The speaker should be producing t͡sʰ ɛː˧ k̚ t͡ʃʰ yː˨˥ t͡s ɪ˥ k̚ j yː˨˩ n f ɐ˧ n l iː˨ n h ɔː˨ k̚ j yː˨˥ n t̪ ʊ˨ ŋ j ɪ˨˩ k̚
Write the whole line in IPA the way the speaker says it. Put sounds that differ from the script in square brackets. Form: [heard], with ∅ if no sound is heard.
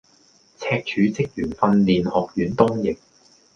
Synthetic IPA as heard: t͡sʰ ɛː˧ k̚ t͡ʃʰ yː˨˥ t͡s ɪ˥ k̚ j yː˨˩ n f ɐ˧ n l iː˨ n h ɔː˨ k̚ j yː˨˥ n t̪ [ʊ˥] ŋ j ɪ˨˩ k̚